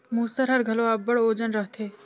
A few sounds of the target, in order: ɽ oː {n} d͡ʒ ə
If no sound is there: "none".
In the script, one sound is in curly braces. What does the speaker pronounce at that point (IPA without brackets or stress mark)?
none